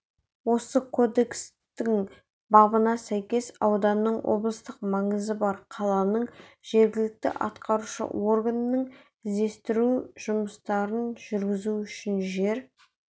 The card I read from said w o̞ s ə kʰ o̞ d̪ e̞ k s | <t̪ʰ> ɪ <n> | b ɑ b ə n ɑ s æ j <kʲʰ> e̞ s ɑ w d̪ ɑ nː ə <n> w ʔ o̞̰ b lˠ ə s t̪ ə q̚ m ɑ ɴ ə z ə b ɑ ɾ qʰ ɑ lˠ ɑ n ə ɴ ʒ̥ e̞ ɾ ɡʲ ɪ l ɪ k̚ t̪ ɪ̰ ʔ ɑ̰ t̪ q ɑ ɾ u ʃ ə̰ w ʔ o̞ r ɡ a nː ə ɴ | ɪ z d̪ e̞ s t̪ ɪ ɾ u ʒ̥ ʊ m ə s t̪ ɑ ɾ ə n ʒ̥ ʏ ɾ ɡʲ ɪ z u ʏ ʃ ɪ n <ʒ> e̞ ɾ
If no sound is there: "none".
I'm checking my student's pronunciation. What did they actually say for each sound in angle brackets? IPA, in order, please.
t̪, ŋ, kʲ, ɴ, ʒ

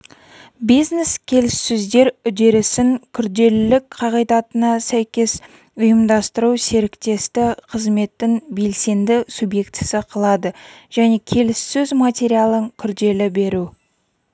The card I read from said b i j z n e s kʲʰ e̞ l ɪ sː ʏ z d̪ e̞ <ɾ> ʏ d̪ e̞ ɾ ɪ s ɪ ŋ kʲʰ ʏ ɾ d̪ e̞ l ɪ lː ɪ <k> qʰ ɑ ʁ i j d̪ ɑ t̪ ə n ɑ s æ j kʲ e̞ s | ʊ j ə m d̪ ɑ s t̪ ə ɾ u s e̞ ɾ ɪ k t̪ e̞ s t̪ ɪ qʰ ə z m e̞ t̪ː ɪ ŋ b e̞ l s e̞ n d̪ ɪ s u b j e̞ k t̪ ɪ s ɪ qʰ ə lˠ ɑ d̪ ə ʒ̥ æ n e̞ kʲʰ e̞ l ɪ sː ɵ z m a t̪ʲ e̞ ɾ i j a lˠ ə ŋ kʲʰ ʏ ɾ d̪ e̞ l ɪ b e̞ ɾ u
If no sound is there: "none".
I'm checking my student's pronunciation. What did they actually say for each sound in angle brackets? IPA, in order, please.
ɾ, k

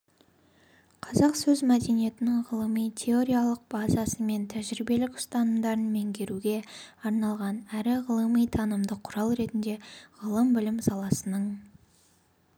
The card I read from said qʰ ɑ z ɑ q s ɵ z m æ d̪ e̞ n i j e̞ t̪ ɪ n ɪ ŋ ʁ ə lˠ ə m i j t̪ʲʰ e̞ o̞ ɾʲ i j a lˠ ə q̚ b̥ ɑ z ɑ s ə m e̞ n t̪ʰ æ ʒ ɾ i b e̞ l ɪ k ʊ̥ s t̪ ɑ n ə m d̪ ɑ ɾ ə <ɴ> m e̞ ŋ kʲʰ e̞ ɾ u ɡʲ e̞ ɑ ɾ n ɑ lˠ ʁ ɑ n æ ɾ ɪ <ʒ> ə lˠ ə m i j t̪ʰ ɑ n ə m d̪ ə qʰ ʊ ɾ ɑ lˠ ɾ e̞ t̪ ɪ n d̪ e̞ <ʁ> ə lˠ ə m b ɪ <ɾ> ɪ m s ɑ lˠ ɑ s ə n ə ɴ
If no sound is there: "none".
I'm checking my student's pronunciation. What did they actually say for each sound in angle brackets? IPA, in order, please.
n, ʁ, ʁ, l

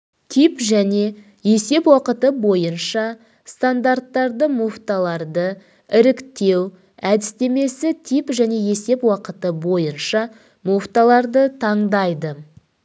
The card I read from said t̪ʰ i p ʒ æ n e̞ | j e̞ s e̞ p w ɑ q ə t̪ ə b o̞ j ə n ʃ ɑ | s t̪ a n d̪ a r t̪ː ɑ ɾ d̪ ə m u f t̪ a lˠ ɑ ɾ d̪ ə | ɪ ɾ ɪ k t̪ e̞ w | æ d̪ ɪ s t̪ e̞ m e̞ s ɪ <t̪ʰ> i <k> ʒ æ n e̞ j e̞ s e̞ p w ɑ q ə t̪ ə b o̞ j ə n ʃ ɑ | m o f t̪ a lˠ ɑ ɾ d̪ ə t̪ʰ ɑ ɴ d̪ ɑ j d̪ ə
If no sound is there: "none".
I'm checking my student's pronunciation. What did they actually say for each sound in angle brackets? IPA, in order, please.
t̪ʰ, p

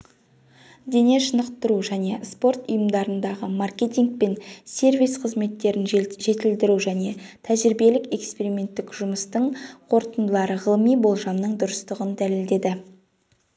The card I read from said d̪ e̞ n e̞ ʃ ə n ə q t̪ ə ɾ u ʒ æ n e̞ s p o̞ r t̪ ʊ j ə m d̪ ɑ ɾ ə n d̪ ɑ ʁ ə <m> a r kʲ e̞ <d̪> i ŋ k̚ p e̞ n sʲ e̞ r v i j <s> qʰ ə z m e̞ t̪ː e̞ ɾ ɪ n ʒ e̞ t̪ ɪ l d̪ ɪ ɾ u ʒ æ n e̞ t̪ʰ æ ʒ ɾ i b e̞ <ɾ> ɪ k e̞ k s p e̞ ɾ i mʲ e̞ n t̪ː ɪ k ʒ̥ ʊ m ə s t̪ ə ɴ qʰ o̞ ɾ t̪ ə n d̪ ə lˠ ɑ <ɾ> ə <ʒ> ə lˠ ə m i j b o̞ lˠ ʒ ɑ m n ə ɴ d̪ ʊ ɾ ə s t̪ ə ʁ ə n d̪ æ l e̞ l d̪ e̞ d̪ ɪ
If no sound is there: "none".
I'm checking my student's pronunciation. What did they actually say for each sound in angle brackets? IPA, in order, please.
m, t̪, s, l, ɾ, ʁ

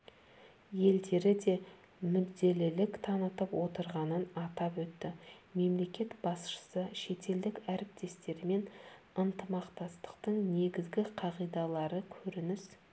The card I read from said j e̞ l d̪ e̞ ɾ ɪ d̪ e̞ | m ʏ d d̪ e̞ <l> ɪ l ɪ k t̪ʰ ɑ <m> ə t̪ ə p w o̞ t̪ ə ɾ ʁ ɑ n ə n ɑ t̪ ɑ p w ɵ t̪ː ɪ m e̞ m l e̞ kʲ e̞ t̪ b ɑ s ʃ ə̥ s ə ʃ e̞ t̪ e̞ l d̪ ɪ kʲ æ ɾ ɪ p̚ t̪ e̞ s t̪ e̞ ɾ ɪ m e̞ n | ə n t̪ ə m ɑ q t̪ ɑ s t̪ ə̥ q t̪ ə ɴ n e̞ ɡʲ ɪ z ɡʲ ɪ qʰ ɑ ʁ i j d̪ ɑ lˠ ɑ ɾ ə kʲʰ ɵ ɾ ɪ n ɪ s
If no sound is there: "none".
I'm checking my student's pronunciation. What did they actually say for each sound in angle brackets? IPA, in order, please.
l, n

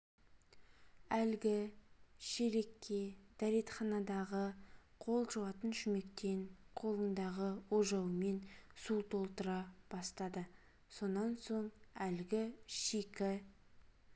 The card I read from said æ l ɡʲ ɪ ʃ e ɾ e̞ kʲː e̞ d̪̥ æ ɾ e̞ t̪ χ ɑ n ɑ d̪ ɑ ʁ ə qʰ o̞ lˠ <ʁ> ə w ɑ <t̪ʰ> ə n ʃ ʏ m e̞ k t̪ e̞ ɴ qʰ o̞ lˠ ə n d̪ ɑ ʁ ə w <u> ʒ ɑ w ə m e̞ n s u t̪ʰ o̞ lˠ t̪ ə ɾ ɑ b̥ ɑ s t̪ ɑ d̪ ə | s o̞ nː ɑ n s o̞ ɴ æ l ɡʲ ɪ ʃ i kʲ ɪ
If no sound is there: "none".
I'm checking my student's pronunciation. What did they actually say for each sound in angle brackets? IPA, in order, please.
ʒ, t̪, o

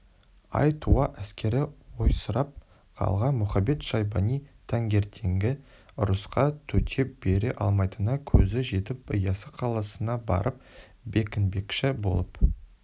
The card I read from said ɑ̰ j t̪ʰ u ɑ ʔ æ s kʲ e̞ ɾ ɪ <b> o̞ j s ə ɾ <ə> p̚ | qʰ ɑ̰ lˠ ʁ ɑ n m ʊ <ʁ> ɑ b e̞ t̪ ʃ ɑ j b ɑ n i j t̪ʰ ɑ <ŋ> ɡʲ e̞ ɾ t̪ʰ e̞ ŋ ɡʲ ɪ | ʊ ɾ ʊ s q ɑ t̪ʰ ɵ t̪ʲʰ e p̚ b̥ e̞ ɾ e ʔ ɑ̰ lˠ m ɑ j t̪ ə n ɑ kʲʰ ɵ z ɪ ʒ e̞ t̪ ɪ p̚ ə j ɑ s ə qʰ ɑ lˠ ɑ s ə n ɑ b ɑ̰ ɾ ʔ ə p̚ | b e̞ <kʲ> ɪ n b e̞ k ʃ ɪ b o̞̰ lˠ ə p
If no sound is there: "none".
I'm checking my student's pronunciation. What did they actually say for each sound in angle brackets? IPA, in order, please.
w, ɑ, χ, ŋ, kʲ

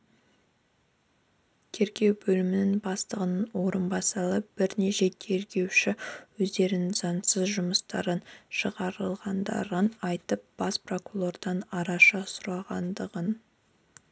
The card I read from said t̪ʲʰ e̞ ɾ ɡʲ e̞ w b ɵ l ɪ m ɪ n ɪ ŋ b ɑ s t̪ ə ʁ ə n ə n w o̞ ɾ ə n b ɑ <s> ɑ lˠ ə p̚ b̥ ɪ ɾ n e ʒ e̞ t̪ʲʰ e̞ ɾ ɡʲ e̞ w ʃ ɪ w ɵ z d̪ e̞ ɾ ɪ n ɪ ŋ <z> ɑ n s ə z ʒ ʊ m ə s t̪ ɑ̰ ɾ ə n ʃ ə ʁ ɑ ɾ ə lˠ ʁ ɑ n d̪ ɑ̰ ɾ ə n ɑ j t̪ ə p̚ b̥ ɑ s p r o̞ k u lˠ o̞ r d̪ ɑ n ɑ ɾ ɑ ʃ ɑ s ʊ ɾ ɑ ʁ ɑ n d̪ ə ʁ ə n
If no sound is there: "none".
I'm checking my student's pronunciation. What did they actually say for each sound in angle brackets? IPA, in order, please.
s, z

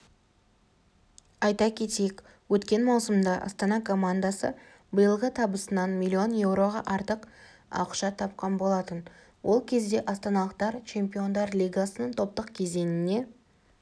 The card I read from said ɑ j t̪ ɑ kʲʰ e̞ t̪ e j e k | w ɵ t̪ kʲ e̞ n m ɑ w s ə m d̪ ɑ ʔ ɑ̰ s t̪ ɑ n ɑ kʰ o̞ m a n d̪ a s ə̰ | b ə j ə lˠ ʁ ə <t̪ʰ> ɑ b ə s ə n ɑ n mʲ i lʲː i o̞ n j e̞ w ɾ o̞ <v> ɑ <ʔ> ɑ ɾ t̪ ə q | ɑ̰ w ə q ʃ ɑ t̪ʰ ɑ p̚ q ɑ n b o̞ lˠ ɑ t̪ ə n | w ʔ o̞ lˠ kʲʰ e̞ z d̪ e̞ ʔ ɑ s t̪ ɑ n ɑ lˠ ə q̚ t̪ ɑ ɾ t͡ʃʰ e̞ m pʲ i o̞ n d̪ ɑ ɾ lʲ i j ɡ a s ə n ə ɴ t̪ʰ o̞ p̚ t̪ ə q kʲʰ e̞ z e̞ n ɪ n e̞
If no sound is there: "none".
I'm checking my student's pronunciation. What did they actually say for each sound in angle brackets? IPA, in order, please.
t̪ʰ, ʁ, ʔ

